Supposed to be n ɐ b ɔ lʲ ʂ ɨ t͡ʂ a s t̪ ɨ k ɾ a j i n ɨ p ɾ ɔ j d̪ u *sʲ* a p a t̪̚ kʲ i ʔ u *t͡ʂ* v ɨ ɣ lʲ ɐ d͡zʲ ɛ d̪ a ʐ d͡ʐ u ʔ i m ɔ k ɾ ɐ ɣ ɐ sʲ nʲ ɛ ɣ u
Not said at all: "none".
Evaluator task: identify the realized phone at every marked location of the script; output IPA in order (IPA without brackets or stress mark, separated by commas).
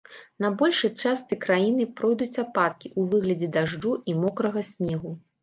t͡sʲ, none